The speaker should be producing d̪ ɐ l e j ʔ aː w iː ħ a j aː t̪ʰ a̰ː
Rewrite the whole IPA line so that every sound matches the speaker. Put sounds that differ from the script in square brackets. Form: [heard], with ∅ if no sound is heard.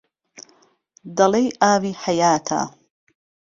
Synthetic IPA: d̪ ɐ l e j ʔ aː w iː ħ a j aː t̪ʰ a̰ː